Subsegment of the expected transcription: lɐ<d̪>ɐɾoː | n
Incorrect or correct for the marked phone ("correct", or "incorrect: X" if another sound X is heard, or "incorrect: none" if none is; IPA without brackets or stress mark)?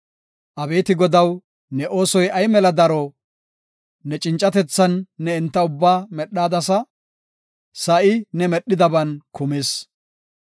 correct